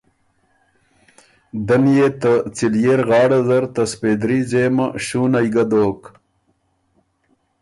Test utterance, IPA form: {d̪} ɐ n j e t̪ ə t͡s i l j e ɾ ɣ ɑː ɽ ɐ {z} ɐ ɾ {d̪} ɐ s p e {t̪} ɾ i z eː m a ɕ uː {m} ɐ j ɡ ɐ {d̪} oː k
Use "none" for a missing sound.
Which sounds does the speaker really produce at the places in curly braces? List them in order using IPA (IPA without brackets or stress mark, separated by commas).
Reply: d̪, z, t̪, d̪, n, d̪